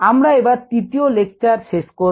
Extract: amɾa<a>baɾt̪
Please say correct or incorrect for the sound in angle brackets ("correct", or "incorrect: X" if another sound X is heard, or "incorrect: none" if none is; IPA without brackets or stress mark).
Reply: incorrect: e